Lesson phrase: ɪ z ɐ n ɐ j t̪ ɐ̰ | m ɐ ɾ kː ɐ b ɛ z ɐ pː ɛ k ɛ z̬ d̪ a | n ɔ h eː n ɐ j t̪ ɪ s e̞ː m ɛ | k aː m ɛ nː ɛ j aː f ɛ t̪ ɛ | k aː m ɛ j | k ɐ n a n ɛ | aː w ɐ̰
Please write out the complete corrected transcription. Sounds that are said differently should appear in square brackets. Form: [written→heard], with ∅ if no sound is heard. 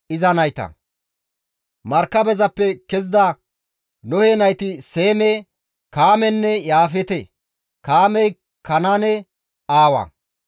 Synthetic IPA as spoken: ɪ z ɐ n ɐ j t̪ ɐ̰ | m ɐ ɾ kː ɐ b ɛ z ɐ pː ɛ k ɛ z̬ d̪ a | n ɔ h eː n ɐ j t̪ ɪ s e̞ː m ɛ | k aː m ɛ nː ɛ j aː f ɛ t̪ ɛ | k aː m ɛ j | k ɐ n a n ɛ | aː w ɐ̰